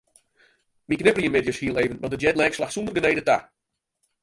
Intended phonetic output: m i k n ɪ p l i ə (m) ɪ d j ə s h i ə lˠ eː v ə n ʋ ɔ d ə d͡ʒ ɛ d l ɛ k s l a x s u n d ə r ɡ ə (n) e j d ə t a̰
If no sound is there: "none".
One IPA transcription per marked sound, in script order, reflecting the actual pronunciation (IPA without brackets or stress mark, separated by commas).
m, n